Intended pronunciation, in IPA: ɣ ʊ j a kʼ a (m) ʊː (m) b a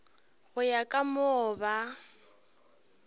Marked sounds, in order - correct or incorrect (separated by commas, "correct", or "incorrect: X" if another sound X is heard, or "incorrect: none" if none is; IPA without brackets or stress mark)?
correct, incorrect: none